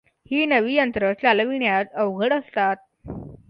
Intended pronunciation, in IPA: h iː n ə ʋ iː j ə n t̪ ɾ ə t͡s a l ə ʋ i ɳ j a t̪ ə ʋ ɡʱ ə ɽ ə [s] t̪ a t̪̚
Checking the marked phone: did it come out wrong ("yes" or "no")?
no